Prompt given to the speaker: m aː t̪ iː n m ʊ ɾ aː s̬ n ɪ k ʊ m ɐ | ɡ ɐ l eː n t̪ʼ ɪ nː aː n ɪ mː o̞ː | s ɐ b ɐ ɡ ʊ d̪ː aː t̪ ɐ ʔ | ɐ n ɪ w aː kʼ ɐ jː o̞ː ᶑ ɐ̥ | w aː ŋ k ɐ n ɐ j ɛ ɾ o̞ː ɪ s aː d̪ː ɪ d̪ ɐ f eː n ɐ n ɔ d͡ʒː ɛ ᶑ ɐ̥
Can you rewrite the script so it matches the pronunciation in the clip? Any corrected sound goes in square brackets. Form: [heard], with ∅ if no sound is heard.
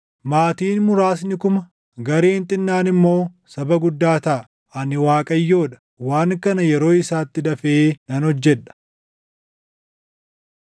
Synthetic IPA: m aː t̪ iː n m ʊ ɾ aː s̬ n ɪ k ʊ m ɐ | ɡ ɐ [ɾ] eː n t̪ʼ ɪ nː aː n ɪ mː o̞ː | s ɐ b ɐ ɡ ʊ d̪ː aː t̪ ɐ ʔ | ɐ n ɪ w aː kʼ ɐ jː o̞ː ᶑ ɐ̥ | w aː ŋ k ɐ n ɐ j ɛ ɾ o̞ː ɪ s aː [t̪ː] ɪ d̪ ɐ f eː n ɐ n ɔ d͡ʒː ɛ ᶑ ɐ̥